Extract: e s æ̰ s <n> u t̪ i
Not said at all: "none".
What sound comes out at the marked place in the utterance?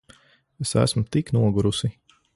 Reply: m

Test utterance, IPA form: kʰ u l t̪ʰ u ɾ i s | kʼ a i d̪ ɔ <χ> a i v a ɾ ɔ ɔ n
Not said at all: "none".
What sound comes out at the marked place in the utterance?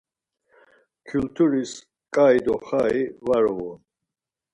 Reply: χ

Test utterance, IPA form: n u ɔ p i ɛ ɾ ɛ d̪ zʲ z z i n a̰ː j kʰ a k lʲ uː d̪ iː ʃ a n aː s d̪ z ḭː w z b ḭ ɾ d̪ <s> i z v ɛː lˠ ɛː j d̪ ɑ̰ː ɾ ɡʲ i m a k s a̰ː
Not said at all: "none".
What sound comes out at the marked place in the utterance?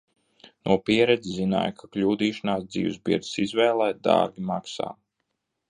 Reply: s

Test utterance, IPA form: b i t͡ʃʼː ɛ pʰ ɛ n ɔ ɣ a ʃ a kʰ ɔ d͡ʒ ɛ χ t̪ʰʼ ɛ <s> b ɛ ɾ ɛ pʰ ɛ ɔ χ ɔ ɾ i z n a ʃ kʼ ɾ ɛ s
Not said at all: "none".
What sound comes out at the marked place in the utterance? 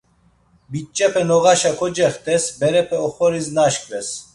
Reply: s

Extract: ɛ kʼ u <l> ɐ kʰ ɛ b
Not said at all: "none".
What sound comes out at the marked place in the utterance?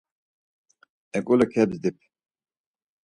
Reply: l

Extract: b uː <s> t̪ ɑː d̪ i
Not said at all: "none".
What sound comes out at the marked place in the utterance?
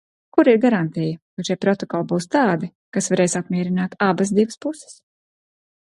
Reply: s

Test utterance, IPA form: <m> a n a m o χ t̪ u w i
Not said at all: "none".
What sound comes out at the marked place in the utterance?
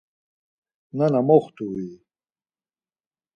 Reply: n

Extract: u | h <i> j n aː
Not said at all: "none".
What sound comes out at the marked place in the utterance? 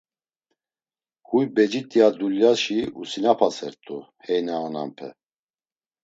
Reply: ɛ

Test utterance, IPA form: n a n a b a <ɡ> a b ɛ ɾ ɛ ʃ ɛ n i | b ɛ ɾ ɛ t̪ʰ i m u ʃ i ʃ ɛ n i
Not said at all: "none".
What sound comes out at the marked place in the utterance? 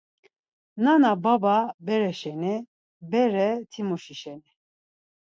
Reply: b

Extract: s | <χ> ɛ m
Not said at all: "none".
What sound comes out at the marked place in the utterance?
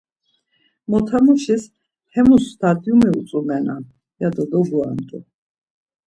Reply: h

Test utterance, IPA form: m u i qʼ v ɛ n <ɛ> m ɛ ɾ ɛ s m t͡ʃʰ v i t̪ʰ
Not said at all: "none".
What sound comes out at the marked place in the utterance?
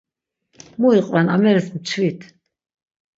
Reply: a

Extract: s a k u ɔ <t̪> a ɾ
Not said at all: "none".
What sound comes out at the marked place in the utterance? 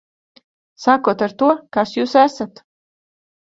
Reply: t̪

